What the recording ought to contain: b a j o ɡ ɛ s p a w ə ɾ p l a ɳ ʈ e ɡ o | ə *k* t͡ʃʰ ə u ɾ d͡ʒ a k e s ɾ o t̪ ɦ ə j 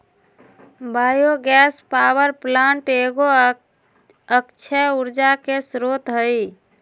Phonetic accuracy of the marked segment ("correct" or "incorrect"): correct